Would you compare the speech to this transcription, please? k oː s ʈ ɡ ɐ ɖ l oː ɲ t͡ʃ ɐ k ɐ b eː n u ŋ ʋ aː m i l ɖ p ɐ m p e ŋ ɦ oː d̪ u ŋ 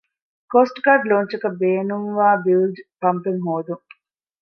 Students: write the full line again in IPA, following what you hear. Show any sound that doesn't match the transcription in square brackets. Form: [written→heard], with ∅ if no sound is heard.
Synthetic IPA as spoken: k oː s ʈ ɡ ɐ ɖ l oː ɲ t͡ʃ ɐ k ɐ b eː n u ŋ ʋ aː [m→b] i l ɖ p ɐ m p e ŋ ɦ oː d̪ u ŋ

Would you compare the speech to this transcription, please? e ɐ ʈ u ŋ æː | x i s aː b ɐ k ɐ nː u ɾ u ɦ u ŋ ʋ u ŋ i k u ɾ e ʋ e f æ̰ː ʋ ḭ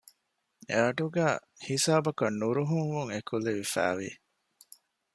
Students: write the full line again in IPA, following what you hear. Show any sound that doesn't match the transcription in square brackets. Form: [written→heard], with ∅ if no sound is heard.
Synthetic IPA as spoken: e ɐ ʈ u [ŋ→ɡ] æː | [x→h] i s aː b ɐ k ɐ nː u ɾ u ɦ u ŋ ʋ u ŋ [i→e] k u [ɾ→l] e ʋ [e→i] f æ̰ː ʋ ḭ

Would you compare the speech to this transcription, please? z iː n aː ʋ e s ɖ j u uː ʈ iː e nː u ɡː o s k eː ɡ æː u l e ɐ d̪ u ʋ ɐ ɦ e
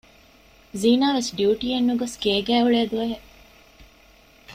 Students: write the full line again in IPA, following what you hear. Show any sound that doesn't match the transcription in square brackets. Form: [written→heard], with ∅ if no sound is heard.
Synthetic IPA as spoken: z iː n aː ʋ e s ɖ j u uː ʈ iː e nː u [ɡː→ɡ] o s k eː ɡ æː u [l→ɭ] e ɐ d̪ u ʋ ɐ ɦ e

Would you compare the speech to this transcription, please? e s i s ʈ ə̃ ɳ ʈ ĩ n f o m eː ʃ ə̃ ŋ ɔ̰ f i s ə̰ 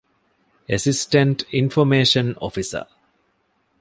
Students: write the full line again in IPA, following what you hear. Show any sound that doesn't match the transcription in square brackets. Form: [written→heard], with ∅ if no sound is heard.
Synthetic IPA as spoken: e s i s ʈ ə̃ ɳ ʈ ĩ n f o m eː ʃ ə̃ [ŋ→n] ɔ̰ f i s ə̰

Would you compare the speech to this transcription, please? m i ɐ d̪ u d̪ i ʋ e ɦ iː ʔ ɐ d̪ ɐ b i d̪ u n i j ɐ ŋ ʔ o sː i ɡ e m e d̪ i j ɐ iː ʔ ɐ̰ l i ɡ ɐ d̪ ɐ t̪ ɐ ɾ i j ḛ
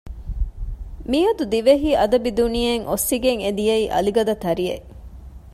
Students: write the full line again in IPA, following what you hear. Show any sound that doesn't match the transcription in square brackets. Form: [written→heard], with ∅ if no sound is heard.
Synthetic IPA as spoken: m i ɐ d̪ u d̪ i ʋ e ɦ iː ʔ ɐ d̪ ɐ b i d̪ u n i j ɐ ŋ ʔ o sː i ɡ e [m→ŋ] e d̪ i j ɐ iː ʔ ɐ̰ l i ɡ ɐ d̪ ɐ t̪ ɐ ɾ i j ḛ

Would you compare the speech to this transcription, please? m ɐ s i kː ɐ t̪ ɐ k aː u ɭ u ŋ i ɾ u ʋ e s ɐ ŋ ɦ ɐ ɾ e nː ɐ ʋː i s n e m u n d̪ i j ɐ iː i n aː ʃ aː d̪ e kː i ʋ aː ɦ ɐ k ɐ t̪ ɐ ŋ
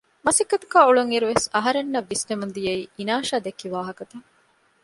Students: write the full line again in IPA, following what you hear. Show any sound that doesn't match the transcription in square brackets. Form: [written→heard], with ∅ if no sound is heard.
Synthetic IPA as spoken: m ɐ s i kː ɐ t̪ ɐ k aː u ɭ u ŋ i ɾ u ʋ e s ɐ [ŋ→∅] ɦ ɐ ɾ e nː ɐ ʋː i s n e m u n d̪ i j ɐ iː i n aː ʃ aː d̪ e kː i ʋ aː ɦ ɐ k ɐ t̪ ɐ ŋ

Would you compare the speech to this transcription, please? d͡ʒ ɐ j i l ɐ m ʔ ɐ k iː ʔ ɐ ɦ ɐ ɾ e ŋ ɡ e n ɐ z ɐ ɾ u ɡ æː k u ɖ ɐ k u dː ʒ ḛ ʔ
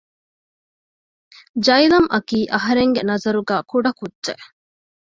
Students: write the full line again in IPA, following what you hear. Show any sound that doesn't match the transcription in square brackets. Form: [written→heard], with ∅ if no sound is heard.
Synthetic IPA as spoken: d͡ʒ ɐ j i l ɐ m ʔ ɐ k iː ʔ ɐ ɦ ɐ ɾ e ŋ ɡ e n ɐ z ɐ ɾ u ɡ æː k u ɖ ɐ k u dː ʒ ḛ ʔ

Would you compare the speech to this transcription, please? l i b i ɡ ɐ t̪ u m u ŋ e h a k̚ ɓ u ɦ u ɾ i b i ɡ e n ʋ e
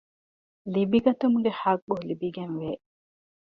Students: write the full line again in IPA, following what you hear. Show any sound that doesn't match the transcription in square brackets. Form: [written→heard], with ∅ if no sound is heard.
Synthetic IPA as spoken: l i b i ɡ ɐ t̪ u m u [ŋ→ɡ] e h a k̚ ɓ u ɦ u [ɾ→l] i b i ɡ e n ʋ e

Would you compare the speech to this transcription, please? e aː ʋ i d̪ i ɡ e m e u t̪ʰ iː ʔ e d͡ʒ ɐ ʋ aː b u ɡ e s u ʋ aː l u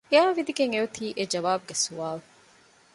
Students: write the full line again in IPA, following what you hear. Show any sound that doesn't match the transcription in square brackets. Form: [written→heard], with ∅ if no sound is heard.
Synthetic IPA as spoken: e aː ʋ i d̪ i ɡ e [m→ŋ] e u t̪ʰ iː ʔ e d͡ʒ ɐ ʋ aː b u ɡ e s u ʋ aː l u

